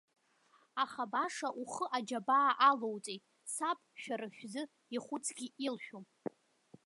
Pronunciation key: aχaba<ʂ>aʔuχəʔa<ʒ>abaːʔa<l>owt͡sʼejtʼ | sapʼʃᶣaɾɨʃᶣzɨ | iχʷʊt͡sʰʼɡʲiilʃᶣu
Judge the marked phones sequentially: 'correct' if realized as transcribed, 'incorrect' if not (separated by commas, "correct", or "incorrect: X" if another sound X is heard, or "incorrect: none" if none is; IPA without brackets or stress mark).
correct, incorrect: d͡ʒ, correct